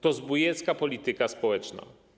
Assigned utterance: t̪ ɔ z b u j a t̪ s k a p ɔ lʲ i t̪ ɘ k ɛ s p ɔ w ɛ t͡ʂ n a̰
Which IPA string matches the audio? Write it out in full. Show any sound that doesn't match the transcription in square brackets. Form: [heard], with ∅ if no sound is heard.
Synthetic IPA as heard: t̪ ɔ z b u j [ɛ] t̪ s k a p ɔ lʲ i t̪ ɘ k [a] s p ɔ w ɛ t͡ʂ n a̰